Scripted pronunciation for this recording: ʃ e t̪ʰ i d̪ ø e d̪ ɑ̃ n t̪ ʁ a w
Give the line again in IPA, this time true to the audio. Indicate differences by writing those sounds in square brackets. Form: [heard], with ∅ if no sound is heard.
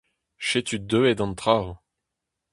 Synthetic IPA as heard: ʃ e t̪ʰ [y] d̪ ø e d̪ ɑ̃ n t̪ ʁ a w